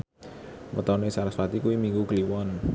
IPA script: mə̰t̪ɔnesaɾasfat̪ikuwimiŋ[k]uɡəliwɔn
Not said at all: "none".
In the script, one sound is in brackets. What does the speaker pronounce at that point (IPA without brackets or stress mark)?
ɡ